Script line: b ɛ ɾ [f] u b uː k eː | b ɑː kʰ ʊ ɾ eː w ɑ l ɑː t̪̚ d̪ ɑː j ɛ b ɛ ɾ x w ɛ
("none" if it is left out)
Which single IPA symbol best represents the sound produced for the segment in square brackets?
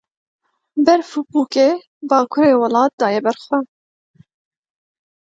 f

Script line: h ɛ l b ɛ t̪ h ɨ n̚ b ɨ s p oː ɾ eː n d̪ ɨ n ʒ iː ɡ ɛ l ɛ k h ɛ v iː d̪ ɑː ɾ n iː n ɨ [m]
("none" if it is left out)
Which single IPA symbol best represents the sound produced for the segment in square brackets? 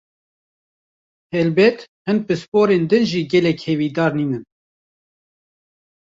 n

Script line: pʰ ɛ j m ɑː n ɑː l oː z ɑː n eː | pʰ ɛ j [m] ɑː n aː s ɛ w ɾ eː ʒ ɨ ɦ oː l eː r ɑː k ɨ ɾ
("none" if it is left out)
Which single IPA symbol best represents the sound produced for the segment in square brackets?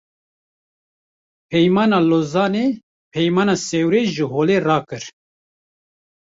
m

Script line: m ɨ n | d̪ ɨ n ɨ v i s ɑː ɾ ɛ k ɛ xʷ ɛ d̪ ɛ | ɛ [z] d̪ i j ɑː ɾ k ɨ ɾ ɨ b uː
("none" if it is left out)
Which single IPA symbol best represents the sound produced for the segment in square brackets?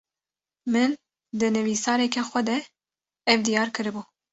v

